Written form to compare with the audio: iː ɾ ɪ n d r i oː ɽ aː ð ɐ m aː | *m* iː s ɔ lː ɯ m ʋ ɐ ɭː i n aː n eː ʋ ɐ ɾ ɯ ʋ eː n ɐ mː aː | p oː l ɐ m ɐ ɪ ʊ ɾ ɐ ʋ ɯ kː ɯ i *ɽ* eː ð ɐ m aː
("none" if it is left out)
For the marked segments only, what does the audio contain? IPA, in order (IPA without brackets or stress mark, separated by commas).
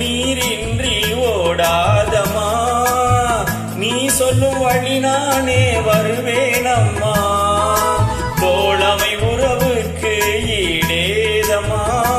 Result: n, ɽ